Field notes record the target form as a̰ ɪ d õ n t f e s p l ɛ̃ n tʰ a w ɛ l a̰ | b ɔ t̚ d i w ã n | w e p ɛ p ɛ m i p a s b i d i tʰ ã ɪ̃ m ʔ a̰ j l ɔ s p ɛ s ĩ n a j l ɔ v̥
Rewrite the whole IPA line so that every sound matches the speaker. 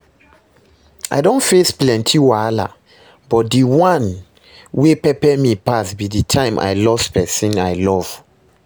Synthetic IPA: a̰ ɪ d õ n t f e s p l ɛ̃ n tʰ i w a l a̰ | b ɔ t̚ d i w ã n | w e p ɛ p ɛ m i p a s b i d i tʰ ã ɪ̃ m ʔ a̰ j l ɔ s p ɛ s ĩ n a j l ɔ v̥